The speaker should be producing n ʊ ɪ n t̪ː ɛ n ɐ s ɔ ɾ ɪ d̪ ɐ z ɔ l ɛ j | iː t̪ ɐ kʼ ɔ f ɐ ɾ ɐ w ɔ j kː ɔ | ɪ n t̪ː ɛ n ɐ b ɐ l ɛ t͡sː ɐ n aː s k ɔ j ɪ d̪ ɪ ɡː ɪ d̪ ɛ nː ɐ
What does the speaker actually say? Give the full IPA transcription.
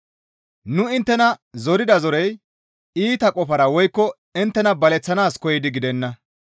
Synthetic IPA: n ʊ ɪ n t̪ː ɛ n ɐ z ɔ ɾ ɪ d̪ ɐ z ɔ ɾ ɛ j | iː t̪ ɐ kʼ ɔ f ɐ ɾ ɐ w ɔ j kː ɔ | ɪ n t̪ː ɛ n ɐ b ɐ l ɛ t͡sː ɐ n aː s k ɔ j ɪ d̪ ɪ ɡ ɪ d̪ ɛ nː ɐ